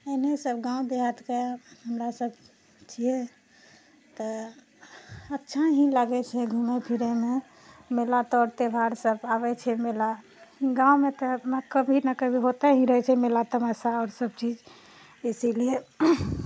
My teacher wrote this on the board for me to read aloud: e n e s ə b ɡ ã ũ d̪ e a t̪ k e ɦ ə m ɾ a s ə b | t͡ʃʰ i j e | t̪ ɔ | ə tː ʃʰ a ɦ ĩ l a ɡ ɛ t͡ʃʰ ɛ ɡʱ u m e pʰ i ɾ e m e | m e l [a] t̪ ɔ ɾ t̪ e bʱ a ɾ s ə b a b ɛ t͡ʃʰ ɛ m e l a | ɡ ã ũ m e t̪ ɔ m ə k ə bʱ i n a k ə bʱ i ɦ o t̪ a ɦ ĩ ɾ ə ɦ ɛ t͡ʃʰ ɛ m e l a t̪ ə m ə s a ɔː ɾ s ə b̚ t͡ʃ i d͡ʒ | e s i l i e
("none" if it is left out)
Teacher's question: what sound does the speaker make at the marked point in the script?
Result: a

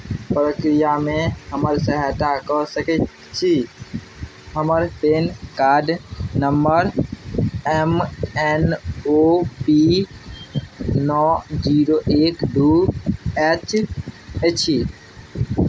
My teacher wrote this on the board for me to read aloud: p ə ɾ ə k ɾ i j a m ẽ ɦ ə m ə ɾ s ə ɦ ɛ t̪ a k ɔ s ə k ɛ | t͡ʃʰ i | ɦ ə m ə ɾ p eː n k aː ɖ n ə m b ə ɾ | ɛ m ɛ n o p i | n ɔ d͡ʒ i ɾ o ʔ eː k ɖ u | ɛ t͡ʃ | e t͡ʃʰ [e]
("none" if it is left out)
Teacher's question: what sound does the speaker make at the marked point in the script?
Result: i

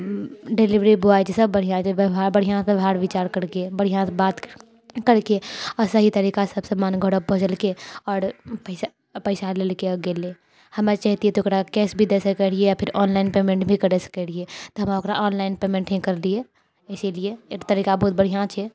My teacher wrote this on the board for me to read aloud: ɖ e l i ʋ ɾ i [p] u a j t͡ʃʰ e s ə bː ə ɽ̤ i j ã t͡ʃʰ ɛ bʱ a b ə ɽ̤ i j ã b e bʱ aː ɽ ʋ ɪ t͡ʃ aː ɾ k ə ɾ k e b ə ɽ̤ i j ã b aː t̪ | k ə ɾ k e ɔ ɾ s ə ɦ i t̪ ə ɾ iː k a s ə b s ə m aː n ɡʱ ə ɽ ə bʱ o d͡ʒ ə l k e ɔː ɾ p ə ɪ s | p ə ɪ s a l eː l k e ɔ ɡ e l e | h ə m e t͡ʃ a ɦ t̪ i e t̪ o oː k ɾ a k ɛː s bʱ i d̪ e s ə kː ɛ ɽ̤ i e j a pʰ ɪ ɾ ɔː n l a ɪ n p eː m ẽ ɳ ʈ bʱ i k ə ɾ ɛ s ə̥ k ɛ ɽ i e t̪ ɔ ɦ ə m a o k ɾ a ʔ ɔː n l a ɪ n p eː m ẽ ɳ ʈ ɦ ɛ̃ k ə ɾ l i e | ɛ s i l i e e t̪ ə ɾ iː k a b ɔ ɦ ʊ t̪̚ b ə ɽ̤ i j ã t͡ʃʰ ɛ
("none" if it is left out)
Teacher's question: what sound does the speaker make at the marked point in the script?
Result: b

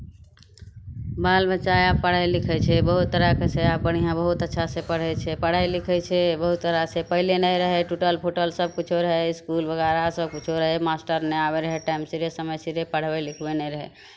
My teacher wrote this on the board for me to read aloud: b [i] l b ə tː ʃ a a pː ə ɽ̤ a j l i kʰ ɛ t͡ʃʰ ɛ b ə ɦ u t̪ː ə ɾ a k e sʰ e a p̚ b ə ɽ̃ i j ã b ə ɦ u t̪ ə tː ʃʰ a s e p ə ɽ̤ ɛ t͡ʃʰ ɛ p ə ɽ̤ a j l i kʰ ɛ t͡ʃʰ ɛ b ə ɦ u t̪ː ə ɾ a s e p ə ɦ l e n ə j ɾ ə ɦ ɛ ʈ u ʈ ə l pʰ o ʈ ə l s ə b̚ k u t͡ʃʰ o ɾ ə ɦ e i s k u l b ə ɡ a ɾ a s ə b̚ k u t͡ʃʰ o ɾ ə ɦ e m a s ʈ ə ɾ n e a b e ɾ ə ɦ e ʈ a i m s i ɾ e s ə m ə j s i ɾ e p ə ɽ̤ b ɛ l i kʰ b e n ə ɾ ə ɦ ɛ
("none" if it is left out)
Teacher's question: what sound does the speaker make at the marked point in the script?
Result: a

